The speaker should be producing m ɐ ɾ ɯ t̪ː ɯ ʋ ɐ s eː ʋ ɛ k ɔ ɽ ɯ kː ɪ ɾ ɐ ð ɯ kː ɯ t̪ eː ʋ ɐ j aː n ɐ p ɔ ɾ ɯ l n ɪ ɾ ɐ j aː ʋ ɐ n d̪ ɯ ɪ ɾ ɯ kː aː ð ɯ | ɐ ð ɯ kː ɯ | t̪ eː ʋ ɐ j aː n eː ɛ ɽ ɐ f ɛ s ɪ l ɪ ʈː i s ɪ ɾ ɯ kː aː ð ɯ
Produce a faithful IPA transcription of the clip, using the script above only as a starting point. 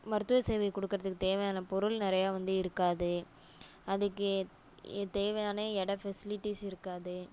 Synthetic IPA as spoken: m ɐ ɾ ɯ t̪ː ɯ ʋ ɐ s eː ʋ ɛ k ɔ ɽ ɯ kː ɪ ɾ ɐ ð ɯ kː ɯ t̪ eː ʋ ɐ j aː n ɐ p ɔ ɾ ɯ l n ɪ ɾ ɐ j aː ʋ ɐ n d̪ ɯ ɪ ɾ ɯ kː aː ð ɯ | ɐ ð ɯ kː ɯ | t̪ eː ʋ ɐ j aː n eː ɛ ɽ ɐ f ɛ s ɪ l ɪ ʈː i s ɪ ɾ ɯ kː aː ð ɯ